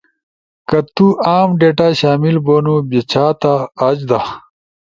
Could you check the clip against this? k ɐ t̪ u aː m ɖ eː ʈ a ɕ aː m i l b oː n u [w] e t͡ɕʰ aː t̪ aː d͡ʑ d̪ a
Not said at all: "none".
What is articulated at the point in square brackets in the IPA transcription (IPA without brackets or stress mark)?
b